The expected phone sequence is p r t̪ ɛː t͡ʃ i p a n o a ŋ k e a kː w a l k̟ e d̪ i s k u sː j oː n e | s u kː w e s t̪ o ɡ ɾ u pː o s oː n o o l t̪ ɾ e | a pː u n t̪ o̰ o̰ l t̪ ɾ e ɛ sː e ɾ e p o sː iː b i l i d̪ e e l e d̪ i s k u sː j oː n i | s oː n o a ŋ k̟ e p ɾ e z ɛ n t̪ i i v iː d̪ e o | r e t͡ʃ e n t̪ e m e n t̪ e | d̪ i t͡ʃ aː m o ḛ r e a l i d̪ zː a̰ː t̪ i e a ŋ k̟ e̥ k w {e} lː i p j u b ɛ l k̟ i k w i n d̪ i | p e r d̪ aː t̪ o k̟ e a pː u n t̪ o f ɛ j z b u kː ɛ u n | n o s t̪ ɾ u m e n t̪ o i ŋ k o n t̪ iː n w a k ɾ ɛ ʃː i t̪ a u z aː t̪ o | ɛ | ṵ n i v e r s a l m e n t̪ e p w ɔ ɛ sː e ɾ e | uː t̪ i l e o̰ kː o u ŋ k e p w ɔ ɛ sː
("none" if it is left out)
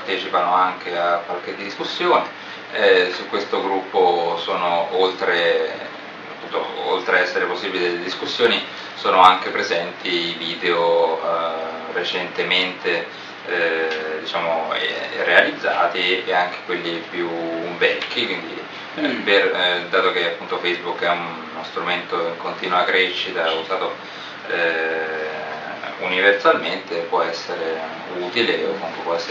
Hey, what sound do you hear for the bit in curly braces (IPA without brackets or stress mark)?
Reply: e